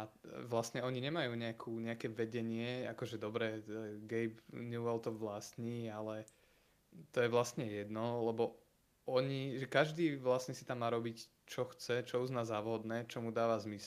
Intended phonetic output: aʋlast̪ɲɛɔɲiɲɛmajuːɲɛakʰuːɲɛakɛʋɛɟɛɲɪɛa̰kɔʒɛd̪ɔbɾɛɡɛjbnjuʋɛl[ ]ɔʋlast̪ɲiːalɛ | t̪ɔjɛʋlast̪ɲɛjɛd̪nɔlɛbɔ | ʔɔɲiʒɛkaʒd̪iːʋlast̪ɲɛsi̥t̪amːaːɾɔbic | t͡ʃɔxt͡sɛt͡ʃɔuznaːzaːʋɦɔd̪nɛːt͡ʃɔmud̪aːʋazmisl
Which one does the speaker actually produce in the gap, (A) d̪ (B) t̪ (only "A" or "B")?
B